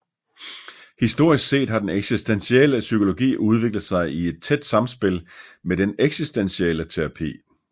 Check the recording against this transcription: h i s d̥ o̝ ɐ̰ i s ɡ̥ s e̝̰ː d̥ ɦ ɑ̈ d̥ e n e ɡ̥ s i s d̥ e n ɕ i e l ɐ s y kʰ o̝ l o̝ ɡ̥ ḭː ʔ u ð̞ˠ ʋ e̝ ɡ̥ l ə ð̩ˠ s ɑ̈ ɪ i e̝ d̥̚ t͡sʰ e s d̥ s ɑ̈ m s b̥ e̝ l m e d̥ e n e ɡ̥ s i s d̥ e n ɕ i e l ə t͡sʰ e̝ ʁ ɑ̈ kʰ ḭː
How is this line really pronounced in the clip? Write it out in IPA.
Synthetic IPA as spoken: h i s d̥ o̝ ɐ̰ i s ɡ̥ s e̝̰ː d̥ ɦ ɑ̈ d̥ e n e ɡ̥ s i s d̥ e n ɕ i e l ə s y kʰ o̝ l o̝ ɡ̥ ḭː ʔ u ð̞ˠ ʋ e̝ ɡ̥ l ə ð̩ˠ s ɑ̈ ɪ i e̝ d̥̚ t͡sʰ e d̥ s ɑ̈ m s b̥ e̝ l m e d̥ e n e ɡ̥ s i s d̥ e n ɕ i e l ə t͡sʰ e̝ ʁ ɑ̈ pʰ ḭː